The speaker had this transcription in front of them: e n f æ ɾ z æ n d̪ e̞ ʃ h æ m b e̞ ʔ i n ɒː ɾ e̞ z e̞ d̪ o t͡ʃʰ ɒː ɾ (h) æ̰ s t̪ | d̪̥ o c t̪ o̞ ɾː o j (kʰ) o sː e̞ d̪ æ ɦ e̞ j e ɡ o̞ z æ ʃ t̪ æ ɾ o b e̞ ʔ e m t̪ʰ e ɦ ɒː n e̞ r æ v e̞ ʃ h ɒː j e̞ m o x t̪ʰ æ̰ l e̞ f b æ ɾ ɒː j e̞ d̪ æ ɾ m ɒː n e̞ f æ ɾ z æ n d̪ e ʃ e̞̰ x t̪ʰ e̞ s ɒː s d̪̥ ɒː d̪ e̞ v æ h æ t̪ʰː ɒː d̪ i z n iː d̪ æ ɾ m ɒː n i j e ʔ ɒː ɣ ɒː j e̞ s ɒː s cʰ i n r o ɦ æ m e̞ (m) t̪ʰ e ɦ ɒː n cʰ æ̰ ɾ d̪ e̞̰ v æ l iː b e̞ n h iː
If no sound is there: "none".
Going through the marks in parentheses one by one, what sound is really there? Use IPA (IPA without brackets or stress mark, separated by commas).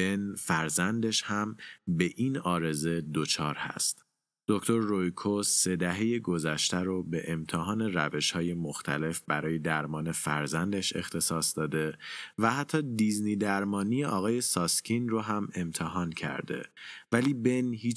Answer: h, kʰ, m